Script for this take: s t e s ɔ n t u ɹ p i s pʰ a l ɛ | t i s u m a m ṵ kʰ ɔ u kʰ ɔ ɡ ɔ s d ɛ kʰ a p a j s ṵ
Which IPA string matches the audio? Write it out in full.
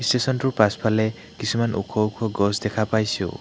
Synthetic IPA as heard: s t e s ɔ n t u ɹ p a s pʰ a l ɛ | k i s u m a n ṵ kʰ ɔ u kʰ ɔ ɡ ɔ s d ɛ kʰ a p a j s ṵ